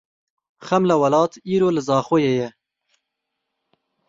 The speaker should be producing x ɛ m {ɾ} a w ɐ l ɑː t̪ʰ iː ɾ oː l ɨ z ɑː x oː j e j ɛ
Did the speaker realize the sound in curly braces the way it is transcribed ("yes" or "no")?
no